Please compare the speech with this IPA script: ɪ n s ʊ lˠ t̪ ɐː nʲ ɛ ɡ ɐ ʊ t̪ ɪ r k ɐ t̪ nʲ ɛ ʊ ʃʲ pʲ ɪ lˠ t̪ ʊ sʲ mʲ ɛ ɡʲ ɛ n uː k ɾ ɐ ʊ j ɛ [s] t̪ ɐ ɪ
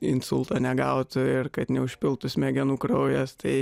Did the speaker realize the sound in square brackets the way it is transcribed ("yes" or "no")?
yes